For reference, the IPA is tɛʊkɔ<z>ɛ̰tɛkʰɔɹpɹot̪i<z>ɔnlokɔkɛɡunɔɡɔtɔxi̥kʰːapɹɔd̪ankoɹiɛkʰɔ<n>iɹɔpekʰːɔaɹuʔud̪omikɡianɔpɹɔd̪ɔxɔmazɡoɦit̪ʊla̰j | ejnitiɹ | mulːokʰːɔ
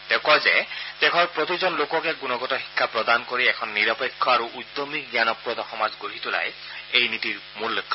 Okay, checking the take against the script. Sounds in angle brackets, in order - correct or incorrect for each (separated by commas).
correct, correct, incorrect